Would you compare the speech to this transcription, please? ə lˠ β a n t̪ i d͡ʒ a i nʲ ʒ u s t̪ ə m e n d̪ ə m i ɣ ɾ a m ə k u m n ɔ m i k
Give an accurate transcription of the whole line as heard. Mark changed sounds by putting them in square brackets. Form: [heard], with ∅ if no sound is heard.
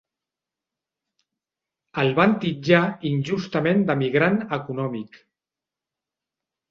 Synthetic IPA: ə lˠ β a n t̪ i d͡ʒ a i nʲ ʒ u s t̪ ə m e n d̪ ə m i ɣ ɾ a [n] ə k u [∅] n ɔ m i k